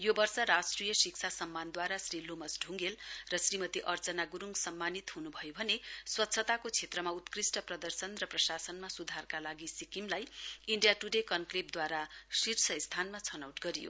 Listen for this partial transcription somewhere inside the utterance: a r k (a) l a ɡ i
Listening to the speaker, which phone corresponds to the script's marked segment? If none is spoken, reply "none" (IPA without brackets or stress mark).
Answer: a